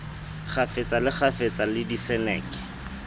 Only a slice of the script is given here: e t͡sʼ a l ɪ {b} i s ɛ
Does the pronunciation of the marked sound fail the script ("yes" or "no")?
yes